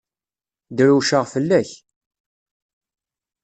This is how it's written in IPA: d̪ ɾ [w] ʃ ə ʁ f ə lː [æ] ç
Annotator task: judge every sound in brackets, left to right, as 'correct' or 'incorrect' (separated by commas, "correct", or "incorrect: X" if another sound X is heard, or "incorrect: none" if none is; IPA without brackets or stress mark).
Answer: incorrect: u, correct